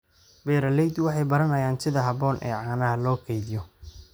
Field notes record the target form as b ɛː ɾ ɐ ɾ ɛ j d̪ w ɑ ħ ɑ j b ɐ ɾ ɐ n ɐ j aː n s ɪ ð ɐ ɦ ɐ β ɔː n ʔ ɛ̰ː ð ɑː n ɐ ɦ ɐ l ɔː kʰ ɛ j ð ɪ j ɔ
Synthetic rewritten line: b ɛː ɾ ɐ l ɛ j d̪ w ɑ ħ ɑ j b ɐ ɾ ɐ n ɐ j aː n s ɪ ð ɐ ɦ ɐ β ɔː n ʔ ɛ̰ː ʕ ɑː n ɐ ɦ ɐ l ɔː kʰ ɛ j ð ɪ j ɔ